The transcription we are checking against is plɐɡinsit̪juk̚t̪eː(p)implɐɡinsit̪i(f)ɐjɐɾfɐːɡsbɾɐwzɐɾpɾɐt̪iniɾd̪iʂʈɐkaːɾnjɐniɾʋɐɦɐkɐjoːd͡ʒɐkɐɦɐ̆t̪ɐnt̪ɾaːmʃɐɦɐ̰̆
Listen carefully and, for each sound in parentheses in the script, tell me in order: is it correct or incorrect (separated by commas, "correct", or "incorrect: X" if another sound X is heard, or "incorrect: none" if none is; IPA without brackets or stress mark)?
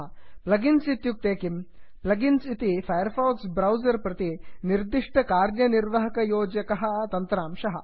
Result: incorrect: k, correct